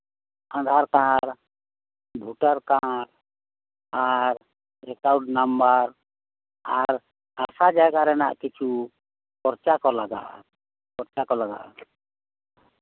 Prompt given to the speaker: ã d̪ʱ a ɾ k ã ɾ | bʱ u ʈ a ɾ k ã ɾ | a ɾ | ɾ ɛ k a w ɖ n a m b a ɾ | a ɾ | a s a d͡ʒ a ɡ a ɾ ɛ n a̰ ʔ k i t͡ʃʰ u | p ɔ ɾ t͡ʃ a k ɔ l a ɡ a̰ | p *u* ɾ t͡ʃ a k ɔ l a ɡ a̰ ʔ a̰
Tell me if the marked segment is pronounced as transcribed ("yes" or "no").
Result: no